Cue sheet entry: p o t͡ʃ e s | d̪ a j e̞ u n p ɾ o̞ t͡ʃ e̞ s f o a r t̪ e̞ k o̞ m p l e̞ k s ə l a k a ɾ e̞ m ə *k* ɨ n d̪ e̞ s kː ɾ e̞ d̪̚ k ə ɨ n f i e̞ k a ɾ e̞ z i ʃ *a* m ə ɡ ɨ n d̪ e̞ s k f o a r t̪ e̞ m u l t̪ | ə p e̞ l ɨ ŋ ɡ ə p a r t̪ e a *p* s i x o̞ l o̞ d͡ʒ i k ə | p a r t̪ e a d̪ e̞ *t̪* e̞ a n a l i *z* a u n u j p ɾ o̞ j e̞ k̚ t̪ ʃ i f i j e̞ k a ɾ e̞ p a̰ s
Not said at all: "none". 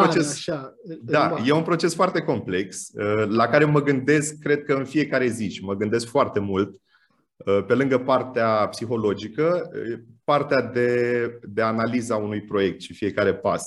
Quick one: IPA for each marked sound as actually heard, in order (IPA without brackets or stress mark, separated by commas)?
ɡ, i, p, d̪, z